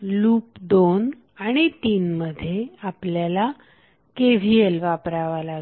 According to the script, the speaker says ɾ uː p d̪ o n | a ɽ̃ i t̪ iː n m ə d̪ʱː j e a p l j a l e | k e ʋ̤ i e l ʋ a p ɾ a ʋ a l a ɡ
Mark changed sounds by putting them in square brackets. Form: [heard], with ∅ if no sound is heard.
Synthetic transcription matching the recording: [l] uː p d̪ o n | a ɽ̃ i t̪ iː n m ə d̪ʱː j e a p l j a l [a] | k e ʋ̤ i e l ʋ a p ɾ a ʋ a l a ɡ